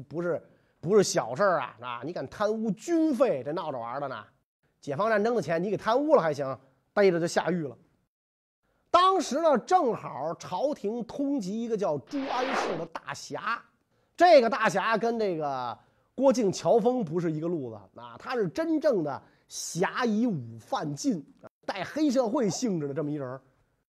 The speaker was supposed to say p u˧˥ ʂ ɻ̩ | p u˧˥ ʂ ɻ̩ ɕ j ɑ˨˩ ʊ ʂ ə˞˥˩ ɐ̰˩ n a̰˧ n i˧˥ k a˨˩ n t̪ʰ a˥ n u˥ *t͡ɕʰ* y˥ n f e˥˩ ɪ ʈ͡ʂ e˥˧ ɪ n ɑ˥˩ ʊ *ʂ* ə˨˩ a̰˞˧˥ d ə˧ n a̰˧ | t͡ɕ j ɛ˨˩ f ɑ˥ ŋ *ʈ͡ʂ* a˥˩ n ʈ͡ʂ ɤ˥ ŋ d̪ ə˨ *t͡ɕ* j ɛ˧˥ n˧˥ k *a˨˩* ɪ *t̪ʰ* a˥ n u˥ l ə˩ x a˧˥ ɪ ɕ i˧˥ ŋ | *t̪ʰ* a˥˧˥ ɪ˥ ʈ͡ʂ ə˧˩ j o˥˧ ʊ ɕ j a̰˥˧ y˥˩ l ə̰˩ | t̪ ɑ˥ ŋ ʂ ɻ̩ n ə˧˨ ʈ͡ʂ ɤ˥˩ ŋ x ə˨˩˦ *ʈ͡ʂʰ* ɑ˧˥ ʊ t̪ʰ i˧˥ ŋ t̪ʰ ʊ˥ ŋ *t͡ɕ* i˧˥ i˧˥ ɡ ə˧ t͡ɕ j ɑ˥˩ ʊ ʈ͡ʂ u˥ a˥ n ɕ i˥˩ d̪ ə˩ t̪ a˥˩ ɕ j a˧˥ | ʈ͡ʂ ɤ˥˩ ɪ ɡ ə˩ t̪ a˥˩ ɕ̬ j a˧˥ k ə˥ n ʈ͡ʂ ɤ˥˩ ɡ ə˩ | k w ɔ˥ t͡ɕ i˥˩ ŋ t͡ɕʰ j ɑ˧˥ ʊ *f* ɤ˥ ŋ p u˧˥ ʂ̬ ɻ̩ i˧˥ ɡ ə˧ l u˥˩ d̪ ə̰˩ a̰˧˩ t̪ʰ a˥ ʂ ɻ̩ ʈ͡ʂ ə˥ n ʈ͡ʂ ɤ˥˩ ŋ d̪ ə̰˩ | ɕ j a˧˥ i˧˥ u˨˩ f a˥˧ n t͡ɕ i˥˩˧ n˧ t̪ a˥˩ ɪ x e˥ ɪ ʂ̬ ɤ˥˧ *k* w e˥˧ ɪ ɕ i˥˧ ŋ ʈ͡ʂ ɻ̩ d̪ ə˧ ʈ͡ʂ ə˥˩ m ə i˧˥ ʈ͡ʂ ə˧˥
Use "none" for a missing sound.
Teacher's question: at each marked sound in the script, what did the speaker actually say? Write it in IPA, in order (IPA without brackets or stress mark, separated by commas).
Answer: t͡ɕ, ʈ͡ʂ, ʈ͡ʂ, t͡ɕʰ, e˨˩, t̪ʰ, t̪, ʈ͡ʂʰ, t͡ɕ, f, x